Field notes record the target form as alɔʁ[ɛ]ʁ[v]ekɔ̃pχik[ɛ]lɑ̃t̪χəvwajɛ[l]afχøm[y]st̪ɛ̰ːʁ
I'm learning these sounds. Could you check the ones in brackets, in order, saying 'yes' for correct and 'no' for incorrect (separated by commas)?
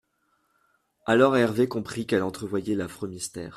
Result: yes, yes, yes, yes, no